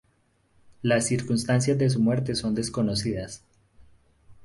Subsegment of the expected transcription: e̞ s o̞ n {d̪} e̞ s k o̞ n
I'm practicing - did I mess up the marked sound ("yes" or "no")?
no